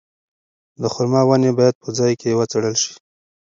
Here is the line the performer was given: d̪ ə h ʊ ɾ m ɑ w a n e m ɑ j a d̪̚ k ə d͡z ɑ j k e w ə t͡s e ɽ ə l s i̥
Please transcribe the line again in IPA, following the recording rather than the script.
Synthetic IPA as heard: d̪ ə x ʊ ɾ m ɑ w a n e b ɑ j a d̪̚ p ə d͡z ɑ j k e w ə t͡s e ɽ ə l ʃ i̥